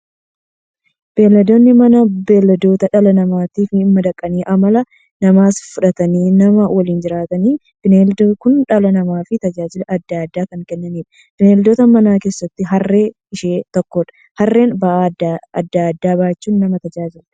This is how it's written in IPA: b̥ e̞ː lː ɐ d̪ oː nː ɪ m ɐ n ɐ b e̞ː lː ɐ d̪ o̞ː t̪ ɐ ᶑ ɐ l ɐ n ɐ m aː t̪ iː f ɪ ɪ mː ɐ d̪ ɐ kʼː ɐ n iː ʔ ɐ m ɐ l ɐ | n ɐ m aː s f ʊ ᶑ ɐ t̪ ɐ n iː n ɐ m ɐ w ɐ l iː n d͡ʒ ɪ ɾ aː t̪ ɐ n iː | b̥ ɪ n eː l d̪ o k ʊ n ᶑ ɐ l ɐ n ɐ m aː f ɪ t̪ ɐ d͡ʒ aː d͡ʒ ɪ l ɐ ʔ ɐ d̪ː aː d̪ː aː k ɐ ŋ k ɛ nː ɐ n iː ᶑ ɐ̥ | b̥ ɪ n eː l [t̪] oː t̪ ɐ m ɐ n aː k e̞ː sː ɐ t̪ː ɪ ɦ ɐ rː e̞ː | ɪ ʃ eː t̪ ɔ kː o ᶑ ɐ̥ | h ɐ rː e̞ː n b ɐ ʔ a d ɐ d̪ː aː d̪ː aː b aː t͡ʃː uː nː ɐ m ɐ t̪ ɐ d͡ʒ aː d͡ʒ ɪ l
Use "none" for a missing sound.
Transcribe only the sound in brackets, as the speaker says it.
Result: d̪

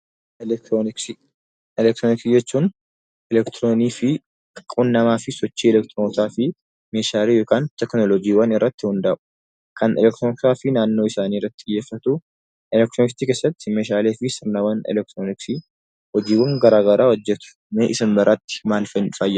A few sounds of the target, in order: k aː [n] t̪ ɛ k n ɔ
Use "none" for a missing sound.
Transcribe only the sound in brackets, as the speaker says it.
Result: n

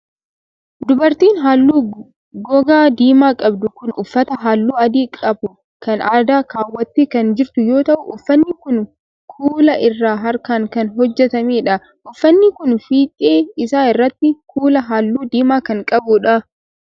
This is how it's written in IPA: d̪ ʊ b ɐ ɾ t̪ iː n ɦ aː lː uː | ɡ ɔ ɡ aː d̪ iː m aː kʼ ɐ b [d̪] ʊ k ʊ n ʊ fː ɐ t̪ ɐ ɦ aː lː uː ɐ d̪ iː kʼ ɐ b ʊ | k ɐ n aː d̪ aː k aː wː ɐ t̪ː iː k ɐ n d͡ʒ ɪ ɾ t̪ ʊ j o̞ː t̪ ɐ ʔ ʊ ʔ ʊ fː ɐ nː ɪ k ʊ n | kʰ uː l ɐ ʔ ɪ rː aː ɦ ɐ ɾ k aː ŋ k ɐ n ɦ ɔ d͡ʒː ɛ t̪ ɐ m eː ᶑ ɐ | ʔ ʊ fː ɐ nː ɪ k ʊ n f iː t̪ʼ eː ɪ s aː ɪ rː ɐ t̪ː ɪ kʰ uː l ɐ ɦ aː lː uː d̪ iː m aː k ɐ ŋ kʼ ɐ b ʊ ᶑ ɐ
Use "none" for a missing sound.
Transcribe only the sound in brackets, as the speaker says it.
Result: d̪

